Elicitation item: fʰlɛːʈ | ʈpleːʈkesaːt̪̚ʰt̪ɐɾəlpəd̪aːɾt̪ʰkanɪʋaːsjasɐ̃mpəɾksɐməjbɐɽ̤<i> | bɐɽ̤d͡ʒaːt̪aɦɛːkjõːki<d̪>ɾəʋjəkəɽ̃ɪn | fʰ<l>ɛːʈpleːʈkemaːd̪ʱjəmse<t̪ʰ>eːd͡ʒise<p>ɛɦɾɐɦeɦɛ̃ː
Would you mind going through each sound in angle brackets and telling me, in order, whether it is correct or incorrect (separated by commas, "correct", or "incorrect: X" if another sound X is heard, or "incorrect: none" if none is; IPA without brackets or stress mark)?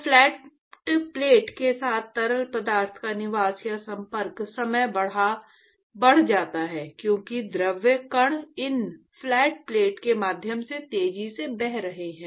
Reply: incorrect: a, correct, correct, incorrect: t̪, incorrect: b